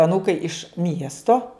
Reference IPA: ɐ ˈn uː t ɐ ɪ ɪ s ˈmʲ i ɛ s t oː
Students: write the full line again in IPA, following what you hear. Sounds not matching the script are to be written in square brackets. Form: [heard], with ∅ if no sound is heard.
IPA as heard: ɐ ˈn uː [k] ɐ ɪ ɪ [ʃ] ˈmʲ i ɛ s t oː